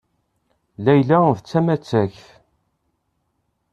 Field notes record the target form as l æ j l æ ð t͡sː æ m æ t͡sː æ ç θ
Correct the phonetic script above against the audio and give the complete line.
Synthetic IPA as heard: l æ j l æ v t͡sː æ m æ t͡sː æ ç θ